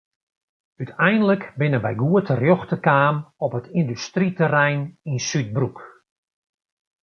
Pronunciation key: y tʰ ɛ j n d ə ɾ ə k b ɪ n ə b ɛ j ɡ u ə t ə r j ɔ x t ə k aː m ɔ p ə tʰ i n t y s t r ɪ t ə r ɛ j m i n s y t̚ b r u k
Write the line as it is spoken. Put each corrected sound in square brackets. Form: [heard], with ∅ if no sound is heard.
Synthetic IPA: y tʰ ɛ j n d ə [l] ə k b ɪ n ə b ɛ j ɡ u ə t ə r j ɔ x t ə k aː m ɔ p ə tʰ i n [d] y s t r [i] t ə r ɛ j [n] i n s y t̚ b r u k